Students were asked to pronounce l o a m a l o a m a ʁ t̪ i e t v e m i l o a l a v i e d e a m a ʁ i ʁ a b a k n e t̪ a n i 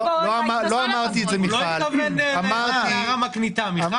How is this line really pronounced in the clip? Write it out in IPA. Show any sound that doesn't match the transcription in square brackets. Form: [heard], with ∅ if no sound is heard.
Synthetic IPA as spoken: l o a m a l o a m a ʁ t̪ i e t [z] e m i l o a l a v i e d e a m a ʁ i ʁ a [m] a k n [i] t̪ a [m] i